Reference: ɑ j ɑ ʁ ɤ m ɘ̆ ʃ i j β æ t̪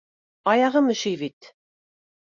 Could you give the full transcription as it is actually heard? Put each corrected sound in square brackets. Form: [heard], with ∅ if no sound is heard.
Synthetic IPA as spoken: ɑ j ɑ ʁ ɤ m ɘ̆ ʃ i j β [i] t̪